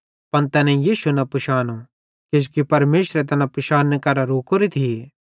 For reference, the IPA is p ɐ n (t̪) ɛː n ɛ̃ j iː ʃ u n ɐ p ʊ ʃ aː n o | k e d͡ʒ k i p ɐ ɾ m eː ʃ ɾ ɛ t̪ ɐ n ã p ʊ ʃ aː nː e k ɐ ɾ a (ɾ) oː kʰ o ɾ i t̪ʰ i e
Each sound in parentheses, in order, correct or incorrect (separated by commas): correct, correct